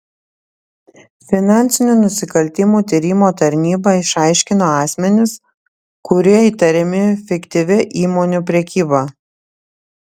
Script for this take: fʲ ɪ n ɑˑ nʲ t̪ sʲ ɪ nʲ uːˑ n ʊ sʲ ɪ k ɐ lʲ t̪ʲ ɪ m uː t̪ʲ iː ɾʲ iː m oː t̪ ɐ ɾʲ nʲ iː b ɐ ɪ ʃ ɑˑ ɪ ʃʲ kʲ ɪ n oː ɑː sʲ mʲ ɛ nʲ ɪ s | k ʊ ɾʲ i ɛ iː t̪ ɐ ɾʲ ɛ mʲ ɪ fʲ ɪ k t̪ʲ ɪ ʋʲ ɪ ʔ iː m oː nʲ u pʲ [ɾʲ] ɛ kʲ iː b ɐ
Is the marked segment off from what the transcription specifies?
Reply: no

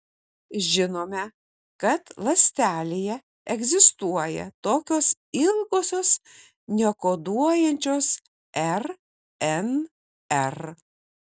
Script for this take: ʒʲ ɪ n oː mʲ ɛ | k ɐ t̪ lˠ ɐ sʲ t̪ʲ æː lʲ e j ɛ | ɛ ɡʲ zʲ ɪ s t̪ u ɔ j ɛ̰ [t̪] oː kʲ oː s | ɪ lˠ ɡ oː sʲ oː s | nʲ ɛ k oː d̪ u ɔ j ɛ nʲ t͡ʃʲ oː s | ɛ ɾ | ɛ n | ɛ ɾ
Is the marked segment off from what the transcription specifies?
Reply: no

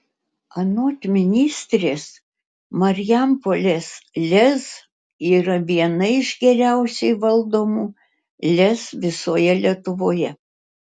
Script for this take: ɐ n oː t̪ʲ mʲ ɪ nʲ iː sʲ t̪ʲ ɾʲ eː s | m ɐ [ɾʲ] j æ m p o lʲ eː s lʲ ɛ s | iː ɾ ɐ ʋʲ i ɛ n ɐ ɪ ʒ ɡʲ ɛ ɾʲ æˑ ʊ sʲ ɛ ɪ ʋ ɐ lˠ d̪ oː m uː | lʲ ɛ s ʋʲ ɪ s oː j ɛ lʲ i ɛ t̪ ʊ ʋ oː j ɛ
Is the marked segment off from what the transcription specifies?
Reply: no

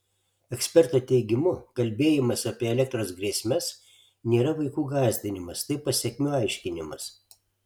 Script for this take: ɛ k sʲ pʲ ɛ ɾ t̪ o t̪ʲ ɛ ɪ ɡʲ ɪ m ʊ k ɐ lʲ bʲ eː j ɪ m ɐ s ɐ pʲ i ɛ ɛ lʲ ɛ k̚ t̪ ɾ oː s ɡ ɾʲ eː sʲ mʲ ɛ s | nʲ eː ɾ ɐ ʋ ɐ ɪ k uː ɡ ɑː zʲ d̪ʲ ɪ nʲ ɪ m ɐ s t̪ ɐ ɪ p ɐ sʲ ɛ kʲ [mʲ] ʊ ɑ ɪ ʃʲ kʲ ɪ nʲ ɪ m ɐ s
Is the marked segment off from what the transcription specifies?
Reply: no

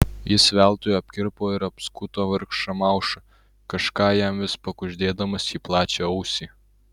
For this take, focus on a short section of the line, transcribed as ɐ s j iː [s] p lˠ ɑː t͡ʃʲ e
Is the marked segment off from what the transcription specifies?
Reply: yes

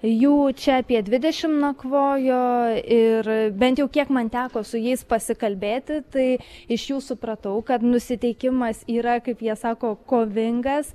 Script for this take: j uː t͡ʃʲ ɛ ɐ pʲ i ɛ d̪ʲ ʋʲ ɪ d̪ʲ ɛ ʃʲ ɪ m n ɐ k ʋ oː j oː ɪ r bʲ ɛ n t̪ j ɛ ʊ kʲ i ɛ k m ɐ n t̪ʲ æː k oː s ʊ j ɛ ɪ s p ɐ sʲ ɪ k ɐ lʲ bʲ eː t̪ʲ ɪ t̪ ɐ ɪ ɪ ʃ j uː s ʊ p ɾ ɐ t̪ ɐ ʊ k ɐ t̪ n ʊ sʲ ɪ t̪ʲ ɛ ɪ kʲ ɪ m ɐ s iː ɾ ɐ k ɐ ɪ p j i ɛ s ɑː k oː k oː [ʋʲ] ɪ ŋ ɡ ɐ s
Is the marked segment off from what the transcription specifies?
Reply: no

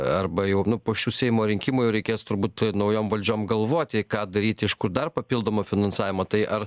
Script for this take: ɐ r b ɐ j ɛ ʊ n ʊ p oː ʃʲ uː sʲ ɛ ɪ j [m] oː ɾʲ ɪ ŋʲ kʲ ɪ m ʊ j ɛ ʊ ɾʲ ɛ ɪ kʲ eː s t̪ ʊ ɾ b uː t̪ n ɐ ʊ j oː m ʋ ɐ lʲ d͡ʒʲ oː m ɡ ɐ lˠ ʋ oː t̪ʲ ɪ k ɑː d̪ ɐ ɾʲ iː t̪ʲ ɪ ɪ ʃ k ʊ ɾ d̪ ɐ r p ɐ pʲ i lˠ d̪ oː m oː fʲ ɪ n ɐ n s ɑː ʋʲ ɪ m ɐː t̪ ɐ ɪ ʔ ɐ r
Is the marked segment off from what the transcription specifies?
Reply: no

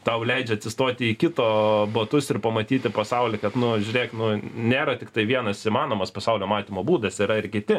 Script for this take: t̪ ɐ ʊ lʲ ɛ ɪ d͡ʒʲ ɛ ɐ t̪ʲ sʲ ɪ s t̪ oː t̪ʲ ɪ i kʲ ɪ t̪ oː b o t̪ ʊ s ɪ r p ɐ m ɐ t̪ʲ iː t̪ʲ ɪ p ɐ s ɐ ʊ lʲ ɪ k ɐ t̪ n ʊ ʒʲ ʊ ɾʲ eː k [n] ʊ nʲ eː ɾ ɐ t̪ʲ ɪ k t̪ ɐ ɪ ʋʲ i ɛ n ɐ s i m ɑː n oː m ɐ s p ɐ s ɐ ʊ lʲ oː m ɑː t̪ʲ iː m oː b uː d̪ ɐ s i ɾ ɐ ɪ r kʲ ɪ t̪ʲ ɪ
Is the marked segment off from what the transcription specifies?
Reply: no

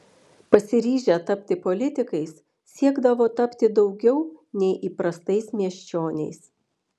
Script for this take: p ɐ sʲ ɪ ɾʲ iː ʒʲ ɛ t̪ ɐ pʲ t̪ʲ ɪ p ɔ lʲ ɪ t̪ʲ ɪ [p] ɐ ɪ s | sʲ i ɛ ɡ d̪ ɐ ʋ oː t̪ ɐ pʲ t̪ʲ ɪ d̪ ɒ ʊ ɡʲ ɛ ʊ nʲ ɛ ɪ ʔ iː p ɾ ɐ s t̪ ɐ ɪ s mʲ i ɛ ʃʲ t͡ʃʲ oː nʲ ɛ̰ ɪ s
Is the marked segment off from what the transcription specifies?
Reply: yes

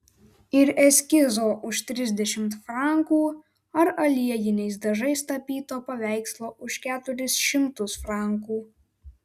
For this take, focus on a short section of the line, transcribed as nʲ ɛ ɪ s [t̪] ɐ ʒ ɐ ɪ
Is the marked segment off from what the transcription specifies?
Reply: yes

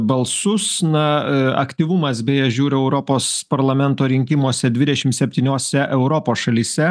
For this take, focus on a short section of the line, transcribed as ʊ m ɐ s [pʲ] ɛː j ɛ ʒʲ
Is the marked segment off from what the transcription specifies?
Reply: yes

